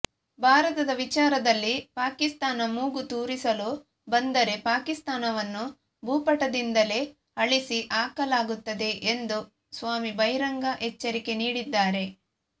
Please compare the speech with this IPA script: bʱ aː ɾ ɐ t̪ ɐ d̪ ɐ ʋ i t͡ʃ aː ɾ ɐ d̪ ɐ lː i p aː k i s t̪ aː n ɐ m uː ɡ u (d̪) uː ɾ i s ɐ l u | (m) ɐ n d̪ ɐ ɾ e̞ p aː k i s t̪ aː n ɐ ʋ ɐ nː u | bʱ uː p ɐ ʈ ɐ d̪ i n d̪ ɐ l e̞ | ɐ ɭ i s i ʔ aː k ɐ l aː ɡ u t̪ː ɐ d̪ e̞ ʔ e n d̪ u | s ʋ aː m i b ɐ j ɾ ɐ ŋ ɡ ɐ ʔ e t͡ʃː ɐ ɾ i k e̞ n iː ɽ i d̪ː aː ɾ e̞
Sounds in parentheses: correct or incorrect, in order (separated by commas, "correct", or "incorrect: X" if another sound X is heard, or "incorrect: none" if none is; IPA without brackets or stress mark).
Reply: incorrect: t̪, incorrect: b